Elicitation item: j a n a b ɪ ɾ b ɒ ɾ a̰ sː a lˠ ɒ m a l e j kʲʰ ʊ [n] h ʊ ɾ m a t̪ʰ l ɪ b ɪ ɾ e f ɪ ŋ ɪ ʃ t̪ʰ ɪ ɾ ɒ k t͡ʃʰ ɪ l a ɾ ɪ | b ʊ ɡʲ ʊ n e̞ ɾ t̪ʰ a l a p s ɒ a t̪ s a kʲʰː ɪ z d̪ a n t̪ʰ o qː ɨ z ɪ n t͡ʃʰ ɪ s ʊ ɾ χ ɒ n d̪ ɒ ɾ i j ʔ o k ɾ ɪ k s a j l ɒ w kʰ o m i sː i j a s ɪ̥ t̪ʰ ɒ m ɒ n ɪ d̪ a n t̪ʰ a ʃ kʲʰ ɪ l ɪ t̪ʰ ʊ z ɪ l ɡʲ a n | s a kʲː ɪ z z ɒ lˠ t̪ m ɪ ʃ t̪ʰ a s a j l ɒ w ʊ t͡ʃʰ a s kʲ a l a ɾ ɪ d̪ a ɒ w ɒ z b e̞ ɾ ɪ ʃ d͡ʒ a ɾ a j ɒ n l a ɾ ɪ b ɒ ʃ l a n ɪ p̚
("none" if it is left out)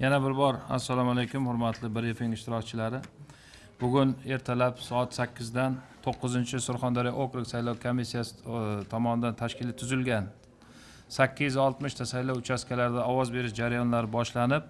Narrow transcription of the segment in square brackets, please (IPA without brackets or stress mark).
m